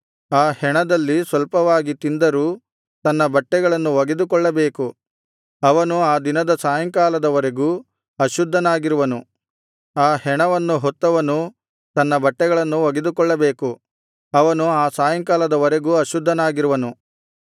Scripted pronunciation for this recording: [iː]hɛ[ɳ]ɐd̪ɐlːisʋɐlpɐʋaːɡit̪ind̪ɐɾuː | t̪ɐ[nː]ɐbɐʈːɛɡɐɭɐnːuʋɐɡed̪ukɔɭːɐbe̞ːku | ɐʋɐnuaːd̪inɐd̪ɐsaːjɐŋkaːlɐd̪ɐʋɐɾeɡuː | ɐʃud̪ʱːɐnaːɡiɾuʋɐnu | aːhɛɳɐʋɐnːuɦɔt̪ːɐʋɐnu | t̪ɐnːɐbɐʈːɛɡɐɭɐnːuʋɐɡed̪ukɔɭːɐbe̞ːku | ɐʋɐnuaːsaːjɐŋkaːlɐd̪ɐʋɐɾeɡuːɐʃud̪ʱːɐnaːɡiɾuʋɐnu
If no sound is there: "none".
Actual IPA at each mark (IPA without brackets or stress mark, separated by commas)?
aː, ɳ, nː